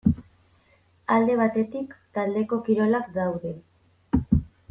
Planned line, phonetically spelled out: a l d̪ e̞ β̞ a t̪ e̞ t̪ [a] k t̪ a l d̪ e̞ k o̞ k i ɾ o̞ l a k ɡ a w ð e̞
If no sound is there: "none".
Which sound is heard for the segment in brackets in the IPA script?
i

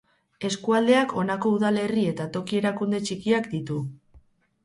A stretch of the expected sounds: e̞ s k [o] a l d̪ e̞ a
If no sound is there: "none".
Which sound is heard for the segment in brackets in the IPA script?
u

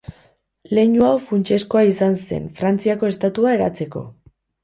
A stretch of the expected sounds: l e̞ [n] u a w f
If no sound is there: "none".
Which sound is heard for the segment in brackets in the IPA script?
ɲ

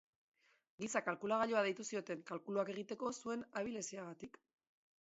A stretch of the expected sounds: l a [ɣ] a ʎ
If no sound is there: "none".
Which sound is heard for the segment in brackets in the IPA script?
ɣ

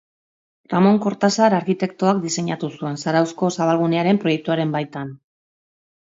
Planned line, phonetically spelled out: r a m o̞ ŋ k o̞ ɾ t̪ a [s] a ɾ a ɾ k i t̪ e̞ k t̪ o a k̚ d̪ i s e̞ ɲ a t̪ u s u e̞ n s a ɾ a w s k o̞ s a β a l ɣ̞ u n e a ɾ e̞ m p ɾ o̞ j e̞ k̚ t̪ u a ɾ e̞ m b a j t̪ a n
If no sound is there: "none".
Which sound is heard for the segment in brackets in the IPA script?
s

